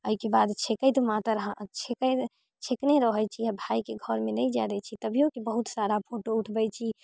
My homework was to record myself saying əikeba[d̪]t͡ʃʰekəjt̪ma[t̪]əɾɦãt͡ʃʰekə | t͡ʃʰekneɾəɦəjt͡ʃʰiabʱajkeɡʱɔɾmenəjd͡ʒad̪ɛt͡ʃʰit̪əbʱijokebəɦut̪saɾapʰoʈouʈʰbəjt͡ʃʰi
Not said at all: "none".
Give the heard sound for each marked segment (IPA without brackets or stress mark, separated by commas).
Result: d̪, t̪